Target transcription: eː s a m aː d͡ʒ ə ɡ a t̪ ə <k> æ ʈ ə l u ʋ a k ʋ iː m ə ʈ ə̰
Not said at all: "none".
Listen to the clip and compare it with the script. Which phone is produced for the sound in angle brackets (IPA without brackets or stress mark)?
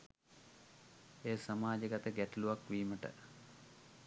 ɡ